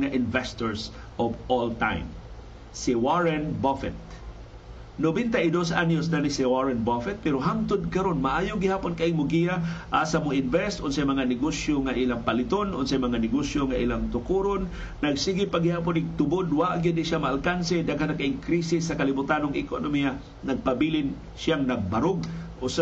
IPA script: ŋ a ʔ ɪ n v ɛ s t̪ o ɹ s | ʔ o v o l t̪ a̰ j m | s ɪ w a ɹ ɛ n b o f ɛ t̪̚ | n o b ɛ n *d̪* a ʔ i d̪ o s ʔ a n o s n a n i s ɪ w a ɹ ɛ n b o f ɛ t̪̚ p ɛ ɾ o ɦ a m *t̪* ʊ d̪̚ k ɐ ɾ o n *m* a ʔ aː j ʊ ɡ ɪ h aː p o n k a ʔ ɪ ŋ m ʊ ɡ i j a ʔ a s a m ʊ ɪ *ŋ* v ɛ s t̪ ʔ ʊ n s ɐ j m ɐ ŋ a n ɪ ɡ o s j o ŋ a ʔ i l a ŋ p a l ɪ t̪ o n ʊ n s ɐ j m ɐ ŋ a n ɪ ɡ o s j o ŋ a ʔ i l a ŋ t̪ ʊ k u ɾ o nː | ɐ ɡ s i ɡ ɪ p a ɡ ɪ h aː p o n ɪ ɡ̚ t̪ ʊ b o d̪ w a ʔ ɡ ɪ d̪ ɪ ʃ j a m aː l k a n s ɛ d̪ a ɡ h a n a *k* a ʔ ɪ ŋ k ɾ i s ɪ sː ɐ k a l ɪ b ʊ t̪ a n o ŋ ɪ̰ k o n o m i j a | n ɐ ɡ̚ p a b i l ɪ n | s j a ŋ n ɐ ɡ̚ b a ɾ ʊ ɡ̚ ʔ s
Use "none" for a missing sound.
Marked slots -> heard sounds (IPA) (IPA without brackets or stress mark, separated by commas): t̪, t̪, m, n, k